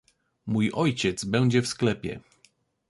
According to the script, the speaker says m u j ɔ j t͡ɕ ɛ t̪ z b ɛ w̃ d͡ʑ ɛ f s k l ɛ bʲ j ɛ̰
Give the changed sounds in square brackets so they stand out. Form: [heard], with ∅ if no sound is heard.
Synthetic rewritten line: m u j ɔ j t͡ɕ ɛ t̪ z b ɛ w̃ d͡ʑ ɛ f s k l ɛ [pʲ] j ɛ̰